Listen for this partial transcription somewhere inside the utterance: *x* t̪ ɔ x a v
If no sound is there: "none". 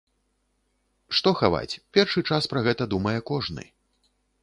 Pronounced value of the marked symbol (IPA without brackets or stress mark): ʂ